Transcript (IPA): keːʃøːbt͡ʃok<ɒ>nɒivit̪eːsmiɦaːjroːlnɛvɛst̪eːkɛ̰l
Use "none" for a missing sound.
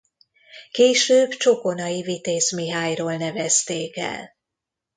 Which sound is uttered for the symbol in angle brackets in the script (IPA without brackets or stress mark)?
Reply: o